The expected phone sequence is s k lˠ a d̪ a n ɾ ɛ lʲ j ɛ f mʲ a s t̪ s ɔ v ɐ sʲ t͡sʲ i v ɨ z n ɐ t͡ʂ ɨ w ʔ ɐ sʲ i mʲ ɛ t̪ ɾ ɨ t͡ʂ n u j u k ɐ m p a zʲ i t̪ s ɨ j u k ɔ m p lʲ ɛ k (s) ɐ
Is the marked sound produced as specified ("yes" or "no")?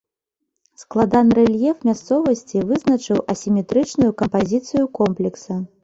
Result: yes